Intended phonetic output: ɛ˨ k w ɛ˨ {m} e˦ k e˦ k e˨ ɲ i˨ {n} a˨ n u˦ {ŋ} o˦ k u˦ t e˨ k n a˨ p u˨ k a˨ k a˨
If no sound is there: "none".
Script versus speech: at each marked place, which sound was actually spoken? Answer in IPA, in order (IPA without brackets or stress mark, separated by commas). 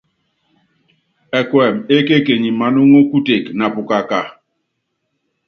m, m, ŋ